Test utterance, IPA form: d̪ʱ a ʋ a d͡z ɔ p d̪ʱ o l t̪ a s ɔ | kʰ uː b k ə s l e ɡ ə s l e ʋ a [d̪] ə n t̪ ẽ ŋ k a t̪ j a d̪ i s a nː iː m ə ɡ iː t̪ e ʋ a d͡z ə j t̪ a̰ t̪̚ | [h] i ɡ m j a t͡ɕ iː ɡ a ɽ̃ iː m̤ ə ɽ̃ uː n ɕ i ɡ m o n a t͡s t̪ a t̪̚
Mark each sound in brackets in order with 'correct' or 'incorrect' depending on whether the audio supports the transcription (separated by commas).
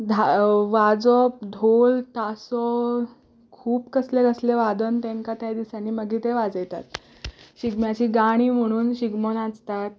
correct, incorrect